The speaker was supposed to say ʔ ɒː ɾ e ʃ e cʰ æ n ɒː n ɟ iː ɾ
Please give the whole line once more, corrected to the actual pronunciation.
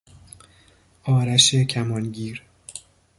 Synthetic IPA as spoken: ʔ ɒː ɾ æ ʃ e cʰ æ m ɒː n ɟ iː ɾ